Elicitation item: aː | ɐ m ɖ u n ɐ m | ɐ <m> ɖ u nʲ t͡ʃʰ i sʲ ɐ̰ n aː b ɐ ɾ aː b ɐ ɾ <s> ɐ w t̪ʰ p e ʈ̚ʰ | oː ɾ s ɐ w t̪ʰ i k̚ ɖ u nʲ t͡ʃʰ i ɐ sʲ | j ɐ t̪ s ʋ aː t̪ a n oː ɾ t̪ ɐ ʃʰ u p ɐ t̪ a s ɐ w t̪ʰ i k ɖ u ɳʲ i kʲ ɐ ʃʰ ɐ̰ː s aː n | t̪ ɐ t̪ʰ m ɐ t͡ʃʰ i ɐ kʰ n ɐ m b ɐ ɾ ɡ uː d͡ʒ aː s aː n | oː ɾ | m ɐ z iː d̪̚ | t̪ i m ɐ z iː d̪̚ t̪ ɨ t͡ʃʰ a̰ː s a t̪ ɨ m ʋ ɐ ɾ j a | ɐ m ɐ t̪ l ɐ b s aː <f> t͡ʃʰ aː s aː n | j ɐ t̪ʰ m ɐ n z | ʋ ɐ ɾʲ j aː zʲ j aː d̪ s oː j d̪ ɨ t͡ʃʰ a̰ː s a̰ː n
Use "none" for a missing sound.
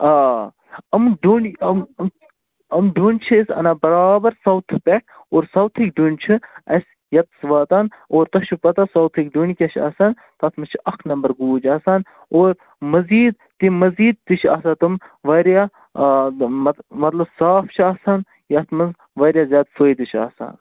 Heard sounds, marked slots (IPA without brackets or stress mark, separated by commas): m, s, f